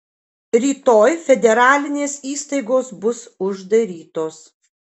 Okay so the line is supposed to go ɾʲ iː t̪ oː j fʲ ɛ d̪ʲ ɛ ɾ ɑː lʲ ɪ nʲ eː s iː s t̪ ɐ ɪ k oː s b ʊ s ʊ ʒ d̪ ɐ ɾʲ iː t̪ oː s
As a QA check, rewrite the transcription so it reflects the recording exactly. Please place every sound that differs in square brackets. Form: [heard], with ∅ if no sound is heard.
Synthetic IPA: ɾʲ iː t̪ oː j fʲ ɛ d̪ʲ ɛ ɾ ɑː lʲ ɪ nʲ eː s iː s t̪ ɐ ɪ [ɡ] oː s b ʊ s ʊ ʒ d̪ ɐ ɾʲ iː t̪ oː s